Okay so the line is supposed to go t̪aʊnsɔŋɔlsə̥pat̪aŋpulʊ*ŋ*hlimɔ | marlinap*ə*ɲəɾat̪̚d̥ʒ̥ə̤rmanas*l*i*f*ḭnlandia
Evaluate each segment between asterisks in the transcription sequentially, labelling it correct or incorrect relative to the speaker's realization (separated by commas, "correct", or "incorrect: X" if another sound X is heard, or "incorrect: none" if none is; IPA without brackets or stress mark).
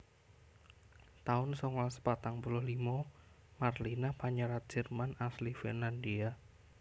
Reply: incorrect: none, incorrect: a, correct, correct